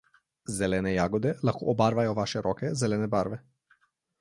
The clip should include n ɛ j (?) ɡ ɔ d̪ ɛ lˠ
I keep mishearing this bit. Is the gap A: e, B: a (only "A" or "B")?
B